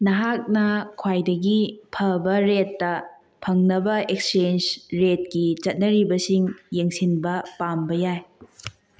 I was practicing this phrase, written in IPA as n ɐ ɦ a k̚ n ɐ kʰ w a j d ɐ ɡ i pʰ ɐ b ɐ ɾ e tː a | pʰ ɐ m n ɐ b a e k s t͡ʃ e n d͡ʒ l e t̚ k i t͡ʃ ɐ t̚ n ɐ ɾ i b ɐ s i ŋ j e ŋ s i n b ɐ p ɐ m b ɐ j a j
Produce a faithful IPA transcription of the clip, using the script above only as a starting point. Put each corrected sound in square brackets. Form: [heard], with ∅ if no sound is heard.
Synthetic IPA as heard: n ɐ ɦ a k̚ n ɐ kʰ w a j d ɐ ɡ i pʰ ɐ b ɐ ɾ e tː [ɐ] | pʰ ɐ [ŋ] n ɐ b [ɐ] e k s t͡ʃ e n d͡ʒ [ɾ] e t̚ k i t͡ʃ ɐ t̚ n ɐ ɾ i b ɐ s i ŋ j e ŋ s i n b ɐ p [a] m b ɐ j a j